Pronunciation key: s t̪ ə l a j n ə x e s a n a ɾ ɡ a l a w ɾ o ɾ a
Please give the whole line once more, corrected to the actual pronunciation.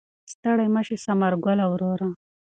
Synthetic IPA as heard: s t̪ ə ɽ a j m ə ʃ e s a m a ɾ ɡ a l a w ɾ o ɾ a